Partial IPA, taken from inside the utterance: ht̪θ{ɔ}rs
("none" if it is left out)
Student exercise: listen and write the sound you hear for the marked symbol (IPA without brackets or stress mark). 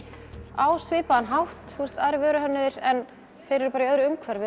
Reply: u